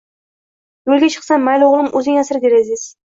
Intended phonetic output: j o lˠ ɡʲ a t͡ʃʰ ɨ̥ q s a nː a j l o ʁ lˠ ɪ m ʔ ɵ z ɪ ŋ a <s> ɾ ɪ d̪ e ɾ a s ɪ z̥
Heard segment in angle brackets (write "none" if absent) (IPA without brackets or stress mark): s